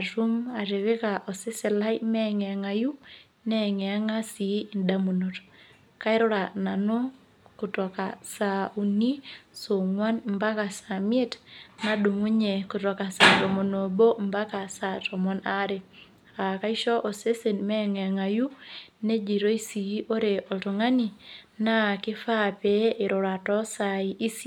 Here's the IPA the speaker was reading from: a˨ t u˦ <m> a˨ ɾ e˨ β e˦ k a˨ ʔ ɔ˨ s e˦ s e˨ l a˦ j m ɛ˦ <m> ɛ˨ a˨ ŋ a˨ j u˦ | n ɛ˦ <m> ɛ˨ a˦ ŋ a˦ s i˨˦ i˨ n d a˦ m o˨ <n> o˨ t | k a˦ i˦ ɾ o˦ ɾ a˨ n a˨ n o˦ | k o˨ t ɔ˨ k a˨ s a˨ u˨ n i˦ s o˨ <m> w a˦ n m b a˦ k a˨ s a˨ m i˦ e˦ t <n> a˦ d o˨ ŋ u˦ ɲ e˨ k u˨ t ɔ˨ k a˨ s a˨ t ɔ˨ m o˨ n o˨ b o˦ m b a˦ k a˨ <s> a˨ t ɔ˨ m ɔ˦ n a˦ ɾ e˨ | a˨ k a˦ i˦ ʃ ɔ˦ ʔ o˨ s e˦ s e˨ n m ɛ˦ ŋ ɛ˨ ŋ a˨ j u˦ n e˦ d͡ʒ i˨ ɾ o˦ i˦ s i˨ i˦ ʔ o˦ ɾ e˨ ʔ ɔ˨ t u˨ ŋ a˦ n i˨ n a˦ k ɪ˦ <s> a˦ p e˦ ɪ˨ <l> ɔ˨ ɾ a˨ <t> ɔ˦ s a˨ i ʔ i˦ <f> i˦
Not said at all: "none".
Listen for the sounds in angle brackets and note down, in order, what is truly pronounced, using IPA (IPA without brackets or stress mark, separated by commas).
m, ŋ, ŋ, n, ŋ, n, s, f, ɾ, t, s